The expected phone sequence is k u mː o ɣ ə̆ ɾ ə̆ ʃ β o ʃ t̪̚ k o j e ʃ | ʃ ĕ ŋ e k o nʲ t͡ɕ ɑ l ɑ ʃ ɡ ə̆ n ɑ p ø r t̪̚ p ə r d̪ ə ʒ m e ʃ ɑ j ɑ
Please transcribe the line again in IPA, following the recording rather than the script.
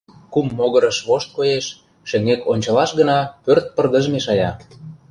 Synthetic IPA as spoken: k u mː o ɣ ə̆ ɾ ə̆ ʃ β o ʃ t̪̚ k o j e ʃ | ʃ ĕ ŋ e k o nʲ t͡ɕ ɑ l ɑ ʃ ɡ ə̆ n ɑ p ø r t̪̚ p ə r d̪ ə ʒ m e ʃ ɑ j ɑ